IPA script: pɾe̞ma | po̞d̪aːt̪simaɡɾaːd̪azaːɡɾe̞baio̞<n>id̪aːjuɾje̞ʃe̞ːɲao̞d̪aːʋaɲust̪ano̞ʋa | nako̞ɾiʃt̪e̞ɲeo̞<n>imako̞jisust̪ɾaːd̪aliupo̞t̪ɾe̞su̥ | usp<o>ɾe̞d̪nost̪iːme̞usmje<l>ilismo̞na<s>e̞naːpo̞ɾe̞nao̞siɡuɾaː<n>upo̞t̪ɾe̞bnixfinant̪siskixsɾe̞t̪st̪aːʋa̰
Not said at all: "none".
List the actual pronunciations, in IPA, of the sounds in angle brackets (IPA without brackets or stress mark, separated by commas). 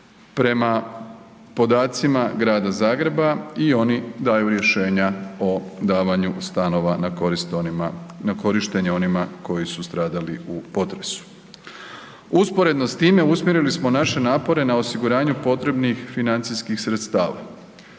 n, n, o, ɾ, ʃ, ɲ